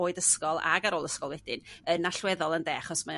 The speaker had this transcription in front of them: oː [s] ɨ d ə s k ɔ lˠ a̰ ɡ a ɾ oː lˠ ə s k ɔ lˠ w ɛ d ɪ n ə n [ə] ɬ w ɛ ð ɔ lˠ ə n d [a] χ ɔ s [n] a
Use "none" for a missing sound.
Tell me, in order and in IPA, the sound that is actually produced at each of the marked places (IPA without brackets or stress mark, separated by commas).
none, a, ɛ, m